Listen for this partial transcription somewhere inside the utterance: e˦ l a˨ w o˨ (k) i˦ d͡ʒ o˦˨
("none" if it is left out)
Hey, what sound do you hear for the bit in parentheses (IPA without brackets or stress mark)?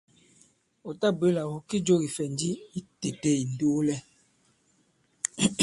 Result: k